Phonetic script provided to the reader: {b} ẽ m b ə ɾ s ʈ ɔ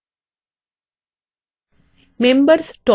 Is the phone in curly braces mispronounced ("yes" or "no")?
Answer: yes